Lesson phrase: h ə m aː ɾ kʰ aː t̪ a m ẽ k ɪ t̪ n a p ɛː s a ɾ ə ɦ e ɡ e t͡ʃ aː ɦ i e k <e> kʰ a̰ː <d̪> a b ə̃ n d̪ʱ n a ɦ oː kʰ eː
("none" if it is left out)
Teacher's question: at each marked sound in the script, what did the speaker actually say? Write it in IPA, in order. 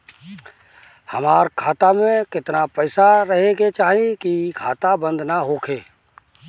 i, t̪

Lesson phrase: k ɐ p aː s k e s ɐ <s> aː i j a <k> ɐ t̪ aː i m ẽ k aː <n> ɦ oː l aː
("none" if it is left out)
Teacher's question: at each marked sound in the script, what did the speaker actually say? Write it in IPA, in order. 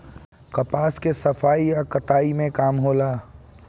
f, k, m

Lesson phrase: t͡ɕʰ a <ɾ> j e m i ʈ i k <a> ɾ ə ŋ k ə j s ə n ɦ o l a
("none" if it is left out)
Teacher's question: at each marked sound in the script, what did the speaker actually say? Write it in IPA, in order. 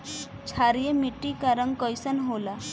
ɾ, a

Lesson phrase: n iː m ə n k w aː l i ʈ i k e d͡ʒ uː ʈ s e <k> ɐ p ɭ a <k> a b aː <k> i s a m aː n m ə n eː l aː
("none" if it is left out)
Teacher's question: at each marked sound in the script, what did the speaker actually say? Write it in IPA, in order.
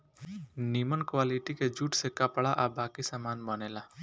k, ʔ, k

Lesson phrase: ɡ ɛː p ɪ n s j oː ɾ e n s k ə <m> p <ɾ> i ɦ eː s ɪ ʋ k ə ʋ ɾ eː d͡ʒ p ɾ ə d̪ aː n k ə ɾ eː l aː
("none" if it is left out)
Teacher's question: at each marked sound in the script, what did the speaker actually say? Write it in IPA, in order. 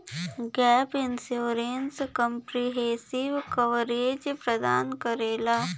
m, ɾ

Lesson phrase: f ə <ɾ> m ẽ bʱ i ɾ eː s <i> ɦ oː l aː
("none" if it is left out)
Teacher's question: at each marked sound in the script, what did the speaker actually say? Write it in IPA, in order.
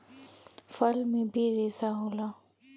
l, a

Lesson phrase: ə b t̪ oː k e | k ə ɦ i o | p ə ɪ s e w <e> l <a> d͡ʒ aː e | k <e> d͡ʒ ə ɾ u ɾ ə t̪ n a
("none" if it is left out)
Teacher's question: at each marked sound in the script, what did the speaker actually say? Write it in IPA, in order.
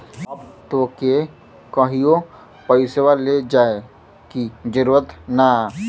a, e, i

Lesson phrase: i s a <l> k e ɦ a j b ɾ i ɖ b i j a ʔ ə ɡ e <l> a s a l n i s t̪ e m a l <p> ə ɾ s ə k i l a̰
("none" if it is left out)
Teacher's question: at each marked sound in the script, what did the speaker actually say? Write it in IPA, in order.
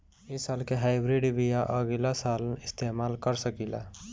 l, l, k

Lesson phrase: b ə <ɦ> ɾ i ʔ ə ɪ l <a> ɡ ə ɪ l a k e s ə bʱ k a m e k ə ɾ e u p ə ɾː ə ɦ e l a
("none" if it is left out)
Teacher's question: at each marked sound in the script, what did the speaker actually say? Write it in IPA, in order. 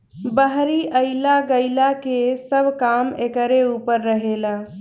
ɦ, a

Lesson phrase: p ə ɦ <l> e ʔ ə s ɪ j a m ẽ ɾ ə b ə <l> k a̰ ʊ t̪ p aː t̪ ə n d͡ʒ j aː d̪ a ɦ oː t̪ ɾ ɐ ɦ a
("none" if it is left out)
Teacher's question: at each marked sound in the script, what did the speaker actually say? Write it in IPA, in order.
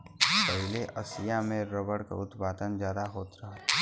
l, ɽ

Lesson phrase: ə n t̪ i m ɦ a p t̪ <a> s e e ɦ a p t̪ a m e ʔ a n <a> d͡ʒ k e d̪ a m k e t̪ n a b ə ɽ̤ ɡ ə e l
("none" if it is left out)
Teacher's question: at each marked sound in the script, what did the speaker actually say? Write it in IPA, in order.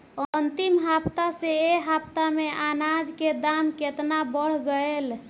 a, a

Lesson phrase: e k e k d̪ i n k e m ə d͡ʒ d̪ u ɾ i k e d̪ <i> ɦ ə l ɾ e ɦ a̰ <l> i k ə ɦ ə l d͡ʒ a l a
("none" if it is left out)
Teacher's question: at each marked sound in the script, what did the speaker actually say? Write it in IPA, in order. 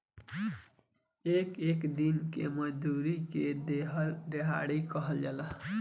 e, ɽ

